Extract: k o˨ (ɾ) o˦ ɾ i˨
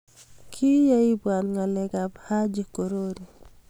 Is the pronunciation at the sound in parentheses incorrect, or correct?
correct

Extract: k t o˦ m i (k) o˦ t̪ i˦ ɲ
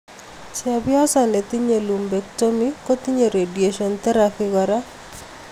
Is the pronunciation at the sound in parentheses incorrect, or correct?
correct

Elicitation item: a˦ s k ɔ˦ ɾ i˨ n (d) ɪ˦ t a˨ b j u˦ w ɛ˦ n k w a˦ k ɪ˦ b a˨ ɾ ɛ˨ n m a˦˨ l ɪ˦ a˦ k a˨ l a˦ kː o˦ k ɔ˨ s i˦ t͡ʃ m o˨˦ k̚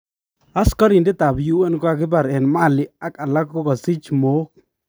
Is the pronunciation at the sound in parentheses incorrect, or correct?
correct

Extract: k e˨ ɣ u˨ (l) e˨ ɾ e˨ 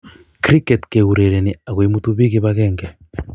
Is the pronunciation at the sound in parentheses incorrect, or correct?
incorrect: ɾ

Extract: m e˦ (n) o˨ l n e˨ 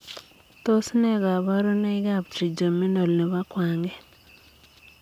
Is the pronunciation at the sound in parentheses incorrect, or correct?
correct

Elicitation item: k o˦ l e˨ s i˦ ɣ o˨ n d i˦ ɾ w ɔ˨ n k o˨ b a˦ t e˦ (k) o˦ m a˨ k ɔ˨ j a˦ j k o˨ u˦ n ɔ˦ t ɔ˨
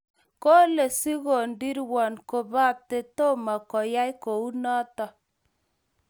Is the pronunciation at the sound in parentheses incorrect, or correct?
incorrect: t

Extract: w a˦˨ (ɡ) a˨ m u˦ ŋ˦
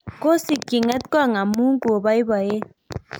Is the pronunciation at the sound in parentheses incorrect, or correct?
incorrect: ŋ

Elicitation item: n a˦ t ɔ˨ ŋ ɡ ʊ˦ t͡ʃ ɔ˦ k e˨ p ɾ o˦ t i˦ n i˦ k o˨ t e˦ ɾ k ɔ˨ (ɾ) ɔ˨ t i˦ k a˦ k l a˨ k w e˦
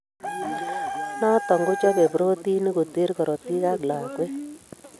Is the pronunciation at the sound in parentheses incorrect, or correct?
correct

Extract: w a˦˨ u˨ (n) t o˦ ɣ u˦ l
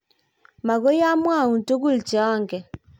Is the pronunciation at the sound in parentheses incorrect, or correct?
correct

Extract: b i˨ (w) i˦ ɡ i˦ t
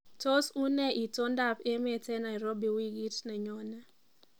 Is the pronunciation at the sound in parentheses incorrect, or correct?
correct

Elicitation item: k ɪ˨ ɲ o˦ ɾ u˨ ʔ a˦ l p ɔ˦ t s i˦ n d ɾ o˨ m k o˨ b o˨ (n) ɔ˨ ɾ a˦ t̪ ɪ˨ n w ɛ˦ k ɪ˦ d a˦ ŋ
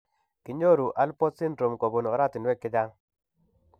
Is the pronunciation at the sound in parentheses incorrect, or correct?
correct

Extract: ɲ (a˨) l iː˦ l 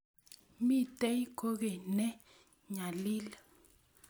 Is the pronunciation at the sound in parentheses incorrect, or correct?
correct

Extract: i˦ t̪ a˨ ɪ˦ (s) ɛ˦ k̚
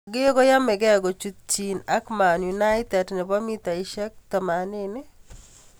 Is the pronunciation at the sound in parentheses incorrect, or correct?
incorrect: ʃ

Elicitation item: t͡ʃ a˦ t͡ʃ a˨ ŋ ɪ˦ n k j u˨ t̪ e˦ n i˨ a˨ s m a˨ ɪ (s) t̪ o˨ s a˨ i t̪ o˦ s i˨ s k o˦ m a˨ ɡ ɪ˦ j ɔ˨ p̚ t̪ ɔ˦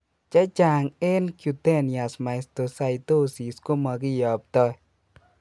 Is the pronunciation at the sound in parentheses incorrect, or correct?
correct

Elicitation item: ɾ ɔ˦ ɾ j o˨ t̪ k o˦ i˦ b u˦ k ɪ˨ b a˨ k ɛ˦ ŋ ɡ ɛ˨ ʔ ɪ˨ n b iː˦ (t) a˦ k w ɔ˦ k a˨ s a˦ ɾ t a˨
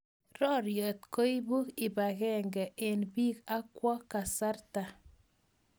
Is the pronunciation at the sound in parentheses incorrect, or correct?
incorrect: k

